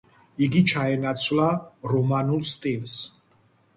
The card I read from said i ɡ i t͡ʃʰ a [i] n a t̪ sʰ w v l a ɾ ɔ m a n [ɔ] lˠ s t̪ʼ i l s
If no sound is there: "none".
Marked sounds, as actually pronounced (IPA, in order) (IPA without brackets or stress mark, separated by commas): ɛ, u